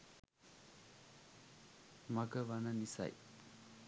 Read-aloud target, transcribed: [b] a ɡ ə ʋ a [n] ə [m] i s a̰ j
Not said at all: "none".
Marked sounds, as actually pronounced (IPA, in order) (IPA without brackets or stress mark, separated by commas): m, n, n